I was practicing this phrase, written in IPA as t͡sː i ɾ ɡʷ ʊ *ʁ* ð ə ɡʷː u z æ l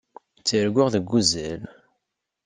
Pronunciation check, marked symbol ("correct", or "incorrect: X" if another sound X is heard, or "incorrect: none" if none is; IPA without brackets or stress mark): correct